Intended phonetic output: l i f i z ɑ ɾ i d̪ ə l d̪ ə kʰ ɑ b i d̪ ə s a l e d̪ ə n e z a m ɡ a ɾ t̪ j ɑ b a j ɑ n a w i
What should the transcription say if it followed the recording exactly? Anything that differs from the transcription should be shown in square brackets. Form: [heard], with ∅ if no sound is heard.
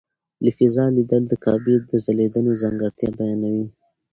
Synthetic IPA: l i f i z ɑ [l] i d̪ ə l d̪ ə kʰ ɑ b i d̪ ə [z] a l e d̪ ə n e z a [ŋ] ɡ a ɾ t̪ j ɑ b a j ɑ n a w i